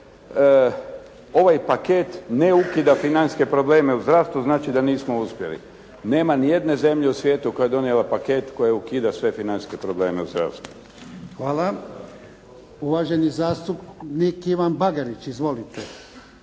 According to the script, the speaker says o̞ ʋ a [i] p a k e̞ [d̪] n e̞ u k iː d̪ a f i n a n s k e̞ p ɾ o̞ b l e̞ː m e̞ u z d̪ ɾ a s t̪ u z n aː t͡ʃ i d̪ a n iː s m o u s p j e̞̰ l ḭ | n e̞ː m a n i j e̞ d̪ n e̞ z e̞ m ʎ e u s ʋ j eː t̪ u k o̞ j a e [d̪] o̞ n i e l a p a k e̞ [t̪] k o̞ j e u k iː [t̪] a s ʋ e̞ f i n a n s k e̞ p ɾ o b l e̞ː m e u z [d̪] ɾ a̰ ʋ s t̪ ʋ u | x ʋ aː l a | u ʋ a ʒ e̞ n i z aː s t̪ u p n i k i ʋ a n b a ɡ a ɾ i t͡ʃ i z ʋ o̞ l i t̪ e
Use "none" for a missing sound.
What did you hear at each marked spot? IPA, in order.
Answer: j, t̪, d̪, t̪, d̪, d̪

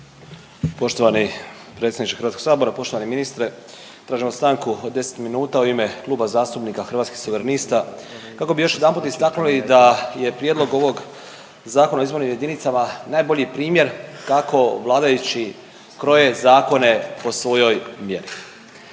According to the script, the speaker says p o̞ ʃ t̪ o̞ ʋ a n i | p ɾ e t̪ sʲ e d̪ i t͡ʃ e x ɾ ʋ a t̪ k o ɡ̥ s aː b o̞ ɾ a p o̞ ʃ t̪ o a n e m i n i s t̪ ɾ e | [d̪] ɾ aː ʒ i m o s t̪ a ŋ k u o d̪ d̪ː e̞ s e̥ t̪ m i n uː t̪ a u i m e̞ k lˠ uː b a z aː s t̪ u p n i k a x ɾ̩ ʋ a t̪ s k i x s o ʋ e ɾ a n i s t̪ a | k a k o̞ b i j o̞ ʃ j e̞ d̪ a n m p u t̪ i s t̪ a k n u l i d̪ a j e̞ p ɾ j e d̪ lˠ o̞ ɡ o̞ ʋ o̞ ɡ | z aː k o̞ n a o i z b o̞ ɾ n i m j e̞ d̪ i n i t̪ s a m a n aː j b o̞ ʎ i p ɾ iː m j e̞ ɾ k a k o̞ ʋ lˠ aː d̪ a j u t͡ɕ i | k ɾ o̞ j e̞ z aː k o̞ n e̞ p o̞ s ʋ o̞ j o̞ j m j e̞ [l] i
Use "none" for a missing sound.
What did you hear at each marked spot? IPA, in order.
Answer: t̪, ɾ

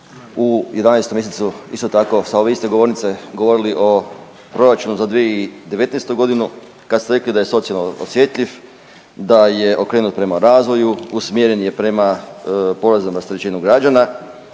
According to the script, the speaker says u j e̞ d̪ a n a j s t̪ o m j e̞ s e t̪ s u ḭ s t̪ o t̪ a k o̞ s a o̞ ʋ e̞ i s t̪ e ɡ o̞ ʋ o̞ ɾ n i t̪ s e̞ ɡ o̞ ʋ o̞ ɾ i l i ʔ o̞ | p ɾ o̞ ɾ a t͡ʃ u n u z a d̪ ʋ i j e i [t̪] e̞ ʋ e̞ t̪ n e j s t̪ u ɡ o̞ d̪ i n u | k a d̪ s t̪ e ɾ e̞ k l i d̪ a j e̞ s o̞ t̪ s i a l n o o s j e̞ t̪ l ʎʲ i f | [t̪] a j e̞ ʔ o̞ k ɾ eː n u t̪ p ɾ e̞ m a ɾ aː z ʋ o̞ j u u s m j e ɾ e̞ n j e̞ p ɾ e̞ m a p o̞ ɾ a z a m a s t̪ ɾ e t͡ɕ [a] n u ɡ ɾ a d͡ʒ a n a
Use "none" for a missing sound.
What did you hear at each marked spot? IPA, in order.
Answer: d̪, d̪, i

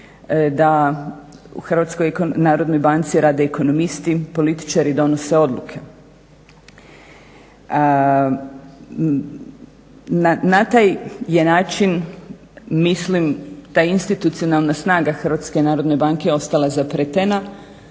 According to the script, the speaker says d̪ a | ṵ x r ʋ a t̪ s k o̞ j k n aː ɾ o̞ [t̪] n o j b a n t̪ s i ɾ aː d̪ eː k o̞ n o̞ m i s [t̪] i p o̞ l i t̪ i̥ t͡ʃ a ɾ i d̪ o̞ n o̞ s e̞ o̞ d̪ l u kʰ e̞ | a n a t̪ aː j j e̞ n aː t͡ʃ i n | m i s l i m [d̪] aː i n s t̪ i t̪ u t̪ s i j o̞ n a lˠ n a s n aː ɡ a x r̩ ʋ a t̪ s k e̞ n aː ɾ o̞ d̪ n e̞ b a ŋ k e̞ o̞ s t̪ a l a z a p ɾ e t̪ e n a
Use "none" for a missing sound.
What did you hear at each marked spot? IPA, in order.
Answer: d̪, t̪, t̪

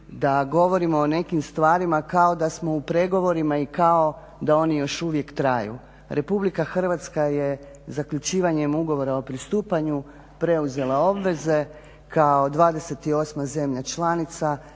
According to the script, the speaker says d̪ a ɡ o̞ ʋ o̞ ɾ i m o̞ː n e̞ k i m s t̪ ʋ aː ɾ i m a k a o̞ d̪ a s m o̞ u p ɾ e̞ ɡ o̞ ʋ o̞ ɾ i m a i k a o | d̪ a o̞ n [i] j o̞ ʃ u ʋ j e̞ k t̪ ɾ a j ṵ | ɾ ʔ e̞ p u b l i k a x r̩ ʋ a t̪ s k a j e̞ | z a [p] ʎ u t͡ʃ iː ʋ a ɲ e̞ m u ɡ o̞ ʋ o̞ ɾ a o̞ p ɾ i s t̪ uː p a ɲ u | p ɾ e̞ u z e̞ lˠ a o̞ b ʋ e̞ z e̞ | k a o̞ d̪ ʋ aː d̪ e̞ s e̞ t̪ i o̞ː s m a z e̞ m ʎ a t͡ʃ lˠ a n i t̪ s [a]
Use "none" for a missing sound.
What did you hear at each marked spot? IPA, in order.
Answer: i, k, a

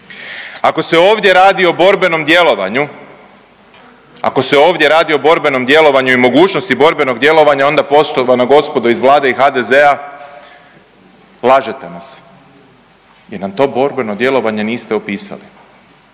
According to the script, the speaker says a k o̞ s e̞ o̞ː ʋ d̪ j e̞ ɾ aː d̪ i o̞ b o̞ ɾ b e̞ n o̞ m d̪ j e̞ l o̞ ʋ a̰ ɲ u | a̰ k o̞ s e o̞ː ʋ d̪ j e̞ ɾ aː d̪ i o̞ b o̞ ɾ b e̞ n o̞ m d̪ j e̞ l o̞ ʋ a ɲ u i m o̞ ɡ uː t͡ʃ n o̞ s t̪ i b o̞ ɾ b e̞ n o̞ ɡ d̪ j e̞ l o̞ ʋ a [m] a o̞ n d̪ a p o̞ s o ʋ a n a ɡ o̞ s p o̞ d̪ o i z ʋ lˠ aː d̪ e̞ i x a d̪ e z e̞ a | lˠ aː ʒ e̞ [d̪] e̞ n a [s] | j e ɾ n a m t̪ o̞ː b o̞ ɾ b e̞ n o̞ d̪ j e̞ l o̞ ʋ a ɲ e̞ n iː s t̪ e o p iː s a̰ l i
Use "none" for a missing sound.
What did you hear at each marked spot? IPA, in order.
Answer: ɲ, t̪, s

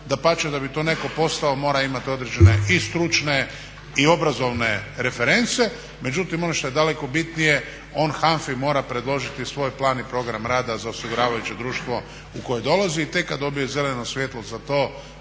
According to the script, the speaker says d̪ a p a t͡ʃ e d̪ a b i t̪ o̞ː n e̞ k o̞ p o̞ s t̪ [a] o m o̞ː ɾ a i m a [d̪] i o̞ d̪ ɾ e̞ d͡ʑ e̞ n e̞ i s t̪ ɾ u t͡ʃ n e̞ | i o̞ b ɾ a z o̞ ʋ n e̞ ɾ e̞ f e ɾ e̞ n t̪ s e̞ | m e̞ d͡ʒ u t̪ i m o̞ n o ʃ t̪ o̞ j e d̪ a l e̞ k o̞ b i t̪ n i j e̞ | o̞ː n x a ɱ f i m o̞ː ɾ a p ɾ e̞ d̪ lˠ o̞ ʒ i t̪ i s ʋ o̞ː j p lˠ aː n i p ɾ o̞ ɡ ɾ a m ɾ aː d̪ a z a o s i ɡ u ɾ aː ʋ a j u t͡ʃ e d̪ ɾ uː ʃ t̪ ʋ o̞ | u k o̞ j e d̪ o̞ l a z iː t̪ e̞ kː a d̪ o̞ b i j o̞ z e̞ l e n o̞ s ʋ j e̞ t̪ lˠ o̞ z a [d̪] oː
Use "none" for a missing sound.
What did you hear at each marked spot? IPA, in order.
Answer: a, t̪, t̪

